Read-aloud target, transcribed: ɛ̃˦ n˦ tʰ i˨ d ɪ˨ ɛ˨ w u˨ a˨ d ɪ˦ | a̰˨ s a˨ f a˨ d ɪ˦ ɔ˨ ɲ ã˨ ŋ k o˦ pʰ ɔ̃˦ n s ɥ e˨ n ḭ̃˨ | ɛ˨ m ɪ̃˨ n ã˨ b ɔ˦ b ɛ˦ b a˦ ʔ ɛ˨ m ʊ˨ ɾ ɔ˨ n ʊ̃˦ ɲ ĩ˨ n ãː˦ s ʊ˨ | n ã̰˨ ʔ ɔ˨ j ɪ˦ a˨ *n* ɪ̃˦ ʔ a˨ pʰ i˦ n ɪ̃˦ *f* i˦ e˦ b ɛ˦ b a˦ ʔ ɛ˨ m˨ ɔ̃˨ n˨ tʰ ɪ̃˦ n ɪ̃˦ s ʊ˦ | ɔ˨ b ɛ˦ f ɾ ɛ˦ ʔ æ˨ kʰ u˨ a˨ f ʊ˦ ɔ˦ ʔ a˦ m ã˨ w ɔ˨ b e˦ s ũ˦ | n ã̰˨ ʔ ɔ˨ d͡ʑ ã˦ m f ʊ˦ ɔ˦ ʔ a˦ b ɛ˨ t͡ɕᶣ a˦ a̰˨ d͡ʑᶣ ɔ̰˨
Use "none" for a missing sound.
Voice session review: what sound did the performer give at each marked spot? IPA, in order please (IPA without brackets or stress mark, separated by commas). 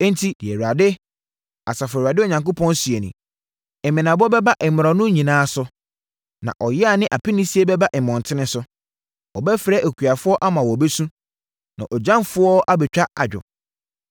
n, s